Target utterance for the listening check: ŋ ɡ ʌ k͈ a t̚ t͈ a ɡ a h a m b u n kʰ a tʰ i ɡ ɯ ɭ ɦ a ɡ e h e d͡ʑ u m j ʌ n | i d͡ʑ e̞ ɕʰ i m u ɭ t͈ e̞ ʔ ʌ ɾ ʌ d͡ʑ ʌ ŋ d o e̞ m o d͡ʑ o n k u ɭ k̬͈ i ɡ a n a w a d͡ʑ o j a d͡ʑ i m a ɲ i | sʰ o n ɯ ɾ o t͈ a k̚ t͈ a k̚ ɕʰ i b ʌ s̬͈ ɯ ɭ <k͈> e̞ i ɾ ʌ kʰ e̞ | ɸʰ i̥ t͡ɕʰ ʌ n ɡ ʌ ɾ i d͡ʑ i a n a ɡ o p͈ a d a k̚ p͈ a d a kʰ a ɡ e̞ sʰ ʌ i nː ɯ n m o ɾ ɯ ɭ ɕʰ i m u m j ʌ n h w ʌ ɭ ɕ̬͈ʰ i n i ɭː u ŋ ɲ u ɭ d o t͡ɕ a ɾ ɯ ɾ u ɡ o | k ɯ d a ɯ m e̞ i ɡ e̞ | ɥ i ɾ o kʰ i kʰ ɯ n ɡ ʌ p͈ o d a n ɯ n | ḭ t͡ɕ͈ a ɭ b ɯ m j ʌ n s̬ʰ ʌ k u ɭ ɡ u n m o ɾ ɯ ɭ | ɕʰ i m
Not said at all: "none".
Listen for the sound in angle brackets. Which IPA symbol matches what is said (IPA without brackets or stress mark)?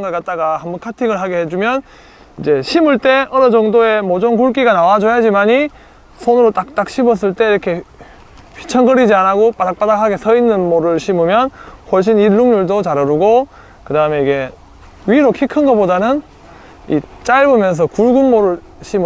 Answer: t͈